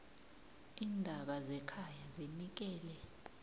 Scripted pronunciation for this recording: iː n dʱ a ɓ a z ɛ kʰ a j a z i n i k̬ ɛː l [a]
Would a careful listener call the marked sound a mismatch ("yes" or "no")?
yes